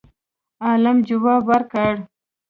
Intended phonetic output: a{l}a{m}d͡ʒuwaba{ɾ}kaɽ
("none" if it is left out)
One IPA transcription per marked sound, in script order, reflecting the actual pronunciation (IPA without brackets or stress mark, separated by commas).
l, m, ɾ